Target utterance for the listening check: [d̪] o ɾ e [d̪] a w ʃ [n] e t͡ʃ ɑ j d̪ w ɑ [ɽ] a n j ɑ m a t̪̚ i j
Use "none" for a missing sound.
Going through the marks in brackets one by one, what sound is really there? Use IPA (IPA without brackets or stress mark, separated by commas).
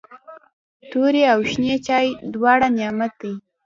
t̪, none, n, ɽ